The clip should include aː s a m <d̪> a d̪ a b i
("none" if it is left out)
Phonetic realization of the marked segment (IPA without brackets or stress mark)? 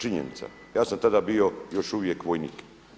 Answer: t̪